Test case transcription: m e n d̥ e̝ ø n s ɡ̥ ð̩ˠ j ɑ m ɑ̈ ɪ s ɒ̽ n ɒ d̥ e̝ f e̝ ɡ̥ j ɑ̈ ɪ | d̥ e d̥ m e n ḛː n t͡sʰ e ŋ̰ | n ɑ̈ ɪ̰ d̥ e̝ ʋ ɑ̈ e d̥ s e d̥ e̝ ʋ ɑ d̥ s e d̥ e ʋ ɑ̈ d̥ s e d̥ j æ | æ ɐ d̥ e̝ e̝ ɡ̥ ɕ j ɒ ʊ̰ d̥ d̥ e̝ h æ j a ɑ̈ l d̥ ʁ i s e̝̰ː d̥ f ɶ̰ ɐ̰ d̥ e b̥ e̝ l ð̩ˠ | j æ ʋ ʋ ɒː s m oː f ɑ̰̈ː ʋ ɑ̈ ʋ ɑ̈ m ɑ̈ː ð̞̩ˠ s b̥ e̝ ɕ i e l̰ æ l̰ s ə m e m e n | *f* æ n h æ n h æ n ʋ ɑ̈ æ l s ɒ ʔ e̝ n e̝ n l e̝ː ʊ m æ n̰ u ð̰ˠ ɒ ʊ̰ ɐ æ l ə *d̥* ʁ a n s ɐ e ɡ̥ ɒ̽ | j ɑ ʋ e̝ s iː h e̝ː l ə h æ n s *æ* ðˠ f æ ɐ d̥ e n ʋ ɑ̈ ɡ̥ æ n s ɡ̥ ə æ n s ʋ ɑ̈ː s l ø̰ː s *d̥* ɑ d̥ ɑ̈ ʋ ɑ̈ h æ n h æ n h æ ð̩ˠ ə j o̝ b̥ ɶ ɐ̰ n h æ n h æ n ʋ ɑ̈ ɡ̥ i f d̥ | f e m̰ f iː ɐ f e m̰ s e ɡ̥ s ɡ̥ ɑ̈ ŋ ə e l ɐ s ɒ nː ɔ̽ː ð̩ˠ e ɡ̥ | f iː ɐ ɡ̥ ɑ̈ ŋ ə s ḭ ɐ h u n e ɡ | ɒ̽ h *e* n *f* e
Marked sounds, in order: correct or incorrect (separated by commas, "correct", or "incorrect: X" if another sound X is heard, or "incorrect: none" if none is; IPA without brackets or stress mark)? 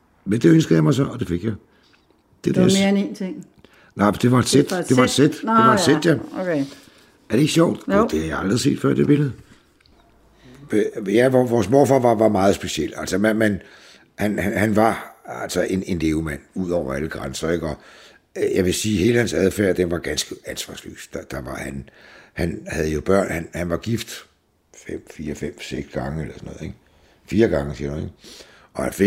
incorrect: h, incorrect: ɡ̥, correct, correct, incorrect: æ, correct